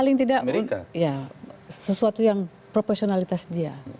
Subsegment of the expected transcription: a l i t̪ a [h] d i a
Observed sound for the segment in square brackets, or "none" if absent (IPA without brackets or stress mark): s